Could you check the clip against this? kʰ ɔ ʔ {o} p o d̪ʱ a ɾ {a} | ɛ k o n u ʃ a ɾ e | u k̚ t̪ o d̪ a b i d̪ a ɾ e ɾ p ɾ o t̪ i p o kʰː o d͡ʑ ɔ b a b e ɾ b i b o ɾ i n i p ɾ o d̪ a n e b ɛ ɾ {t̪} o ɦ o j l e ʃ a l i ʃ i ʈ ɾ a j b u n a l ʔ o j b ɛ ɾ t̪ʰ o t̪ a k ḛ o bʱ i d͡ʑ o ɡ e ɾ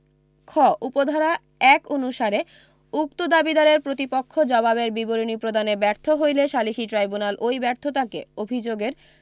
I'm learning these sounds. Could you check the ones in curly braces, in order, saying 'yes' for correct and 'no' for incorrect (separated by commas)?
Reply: no, yes, no